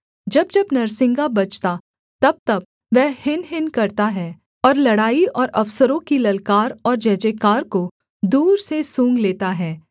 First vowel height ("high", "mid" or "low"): low